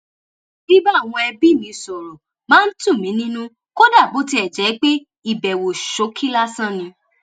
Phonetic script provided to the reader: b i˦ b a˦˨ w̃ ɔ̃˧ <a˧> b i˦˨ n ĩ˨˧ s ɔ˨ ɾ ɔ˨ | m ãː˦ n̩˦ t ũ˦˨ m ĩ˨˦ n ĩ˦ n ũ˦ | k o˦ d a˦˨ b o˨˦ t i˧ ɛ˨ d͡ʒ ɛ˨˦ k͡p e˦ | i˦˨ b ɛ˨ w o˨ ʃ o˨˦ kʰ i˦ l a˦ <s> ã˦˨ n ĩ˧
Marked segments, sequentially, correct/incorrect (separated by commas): incorrect, correct